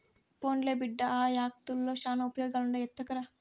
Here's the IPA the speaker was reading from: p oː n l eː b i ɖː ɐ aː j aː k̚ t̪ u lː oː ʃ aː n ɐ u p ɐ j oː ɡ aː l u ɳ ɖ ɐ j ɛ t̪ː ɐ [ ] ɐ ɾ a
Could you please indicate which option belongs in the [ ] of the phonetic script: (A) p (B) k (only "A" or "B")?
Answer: B